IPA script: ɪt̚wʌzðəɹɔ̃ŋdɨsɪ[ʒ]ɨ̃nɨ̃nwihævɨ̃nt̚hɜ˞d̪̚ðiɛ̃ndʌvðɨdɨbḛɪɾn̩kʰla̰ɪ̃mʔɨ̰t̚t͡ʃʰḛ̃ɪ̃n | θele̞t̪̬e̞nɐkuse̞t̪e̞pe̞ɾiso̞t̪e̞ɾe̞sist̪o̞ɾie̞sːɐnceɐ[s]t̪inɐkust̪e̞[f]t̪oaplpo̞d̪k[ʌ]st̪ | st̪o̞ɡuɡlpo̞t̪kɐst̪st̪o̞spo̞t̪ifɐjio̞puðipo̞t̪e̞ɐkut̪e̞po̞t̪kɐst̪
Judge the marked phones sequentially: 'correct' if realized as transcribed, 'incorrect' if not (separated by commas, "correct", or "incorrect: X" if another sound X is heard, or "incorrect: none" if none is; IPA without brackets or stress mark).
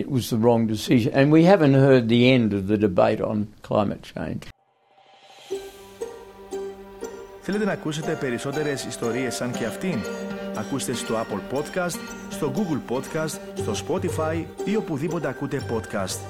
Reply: correct, incorrect: f, incorrect: s, incorrect: ɐ